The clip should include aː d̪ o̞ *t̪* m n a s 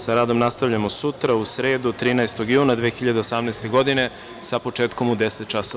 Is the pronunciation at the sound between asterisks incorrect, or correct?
incorrect